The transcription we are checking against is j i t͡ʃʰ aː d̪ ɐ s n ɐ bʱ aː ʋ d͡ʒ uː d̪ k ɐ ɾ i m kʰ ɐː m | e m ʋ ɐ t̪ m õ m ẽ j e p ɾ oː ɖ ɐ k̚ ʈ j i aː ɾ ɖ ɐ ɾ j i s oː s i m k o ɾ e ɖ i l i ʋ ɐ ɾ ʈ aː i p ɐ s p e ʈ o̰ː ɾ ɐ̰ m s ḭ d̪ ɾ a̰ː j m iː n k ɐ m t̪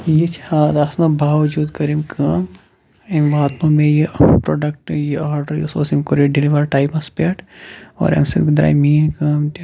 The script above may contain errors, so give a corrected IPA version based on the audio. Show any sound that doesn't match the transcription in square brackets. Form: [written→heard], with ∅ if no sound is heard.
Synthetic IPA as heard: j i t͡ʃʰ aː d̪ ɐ s n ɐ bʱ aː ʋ d͡ʒ uː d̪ k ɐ ɾ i m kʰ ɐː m | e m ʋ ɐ t̪ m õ m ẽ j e p ɾ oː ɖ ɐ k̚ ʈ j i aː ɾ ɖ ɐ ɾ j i s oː s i m k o ɾ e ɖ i l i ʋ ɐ ɾ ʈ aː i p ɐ s p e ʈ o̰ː ɾ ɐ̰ m s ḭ d̪ ɾ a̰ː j m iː n k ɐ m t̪